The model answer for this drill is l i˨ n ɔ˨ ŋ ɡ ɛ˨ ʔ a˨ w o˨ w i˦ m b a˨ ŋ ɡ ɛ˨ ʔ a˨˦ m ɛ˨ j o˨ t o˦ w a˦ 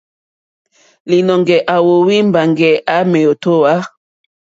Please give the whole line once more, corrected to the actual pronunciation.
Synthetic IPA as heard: l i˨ n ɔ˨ ŋ ɡ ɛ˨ ʔ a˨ w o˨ w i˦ m b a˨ ŋ ɡ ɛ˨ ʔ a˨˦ m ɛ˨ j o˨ t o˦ w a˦